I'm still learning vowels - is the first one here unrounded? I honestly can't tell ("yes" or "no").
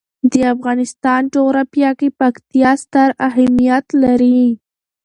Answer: yes